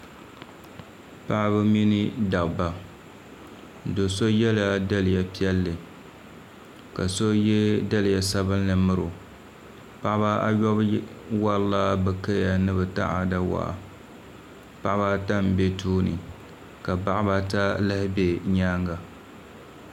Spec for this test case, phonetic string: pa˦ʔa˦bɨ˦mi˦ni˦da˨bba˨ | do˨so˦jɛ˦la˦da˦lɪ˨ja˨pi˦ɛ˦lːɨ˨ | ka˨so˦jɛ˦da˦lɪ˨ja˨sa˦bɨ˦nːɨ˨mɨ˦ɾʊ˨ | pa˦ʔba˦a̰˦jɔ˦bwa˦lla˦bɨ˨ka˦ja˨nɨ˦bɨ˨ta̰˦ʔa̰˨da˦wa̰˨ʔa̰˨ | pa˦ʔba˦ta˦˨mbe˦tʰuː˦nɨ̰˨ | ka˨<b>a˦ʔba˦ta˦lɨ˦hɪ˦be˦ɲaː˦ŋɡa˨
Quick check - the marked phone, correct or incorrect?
correct